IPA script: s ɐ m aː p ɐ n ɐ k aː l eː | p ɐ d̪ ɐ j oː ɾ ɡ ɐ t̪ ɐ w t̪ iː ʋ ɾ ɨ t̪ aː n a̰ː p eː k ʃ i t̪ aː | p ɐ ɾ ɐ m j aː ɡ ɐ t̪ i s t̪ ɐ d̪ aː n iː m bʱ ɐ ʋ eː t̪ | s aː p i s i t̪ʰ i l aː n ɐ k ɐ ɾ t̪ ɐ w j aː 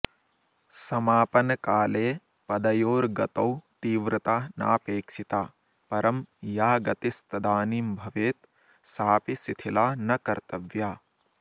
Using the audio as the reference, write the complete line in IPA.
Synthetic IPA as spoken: s ɐ m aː p ɐ n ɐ k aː l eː | p ɐ d̪ ɐ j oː ɾ ɡ ɐ t̪ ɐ w t̪ iː ʋ ɾ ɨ t̪ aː n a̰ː p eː k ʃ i t̪ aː | p ɐ ɾ ɐ m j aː ɡ ɐ t̪ i s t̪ ɐ d̪ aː n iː m bʱ ɐ ʋ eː t̪ | s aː p i s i t̪ʰ i l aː n ɐ k ɐ ɾ t̪ ɐ ʋ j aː